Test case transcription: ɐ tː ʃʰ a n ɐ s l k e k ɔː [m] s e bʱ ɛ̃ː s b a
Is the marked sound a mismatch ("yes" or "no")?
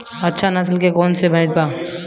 yes